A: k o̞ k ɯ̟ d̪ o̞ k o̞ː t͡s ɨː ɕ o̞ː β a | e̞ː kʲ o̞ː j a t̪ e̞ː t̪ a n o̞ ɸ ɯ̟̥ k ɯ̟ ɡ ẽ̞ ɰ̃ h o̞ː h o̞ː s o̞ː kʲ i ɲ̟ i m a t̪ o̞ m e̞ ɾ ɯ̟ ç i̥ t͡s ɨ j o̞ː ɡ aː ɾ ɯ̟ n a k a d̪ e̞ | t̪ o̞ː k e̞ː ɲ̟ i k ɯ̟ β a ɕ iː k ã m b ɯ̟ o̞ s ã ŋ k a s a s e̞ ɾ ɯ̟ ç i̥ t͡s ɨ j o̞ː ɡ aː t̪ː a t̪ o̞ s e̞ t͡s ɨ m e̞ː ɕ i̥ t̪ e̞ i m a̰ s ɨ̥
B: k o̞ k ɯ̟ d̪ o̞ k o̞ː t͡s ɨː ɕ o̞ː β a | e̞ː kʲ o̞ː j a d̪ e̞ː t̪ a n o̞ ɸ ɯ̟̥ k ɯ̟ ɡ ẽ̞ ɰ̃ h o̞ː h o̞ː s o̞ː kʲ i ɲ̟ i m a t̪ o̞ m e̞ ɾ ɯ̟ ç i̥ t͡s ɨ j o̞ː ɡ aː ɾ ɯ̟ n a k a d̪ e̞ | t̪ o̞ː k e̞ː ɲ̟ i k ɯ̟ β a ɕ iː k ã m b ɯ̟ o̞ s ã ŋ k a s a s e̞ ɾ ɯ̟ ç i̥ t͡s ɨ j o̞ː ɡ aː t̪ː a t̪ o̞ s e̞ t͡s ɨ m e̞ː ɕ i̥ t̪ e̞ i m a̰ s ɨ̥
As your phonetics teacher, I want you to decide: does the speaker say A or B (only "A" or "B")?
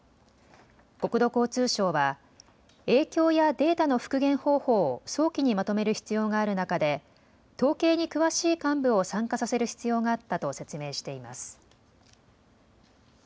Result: B